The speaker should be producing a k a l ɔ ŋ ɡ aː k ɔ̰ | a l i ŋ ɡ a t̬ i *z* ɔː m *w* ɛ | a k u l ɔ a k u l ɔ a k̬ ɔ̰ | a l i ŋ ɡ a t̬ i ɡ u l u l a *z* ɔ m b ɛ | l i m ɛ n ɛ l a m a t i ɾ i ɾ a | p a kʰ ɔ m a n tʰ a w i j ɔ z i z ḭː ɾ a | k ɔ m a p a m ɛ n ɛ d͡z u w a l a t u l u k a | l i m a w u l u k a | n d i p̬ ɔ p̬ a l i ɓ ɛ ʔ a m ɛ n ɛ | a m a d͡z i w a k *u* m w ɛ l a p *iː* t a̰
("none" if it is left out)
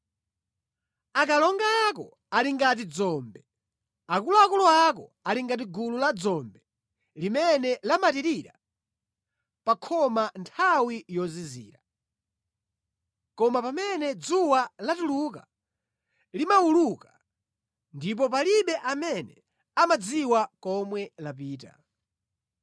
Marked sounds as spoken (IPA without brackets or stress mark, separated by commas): d͡z, b, d͡z, ɔ, iː